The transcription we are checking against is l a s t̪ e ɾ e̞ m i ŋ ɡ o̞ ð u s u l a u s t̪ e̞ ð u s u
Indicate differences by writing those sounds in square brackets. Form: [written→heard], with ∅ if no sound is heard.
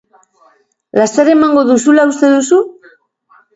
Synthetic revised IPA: l a s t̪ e ɾ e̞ m [i→a] ŋ ɡ o̞ ð u s u l a u s t̪ e̞ ð u s u